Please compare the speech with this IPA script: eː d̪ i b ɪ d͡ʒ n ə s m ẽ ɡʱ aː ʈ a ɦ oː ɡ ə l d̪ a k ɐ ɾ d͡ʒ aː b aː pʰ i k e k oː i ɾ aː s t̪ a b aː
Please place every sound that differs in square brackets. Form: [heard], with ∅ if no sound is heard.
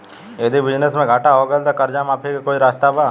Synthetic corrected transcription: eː d̪ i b ɪ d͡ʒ n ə s m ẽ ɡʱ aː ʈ a ɦ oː ɡ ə l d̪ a k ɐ ɾ d͡ʒ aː [m] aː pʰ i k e k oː i ɾ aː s t̪ a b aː